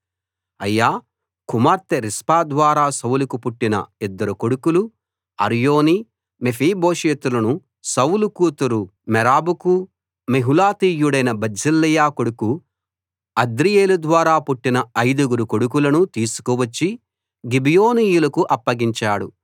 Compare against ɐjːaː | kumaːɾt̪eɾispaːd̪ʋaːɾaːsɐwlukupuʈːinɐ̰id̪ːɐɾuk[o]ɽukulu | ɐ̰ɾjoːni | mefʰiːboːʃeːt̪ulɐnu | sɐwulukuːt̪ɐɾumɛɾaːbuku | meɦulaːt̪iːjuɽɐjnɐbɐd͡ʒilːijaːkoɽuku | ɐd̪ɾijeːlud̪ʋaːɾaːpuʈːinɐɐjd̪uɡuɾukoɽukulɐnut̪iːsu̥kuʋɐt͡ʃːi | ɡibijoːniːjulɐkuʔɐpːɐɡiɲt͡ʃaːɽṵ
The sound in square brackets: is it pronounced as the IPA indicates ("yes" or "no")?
yes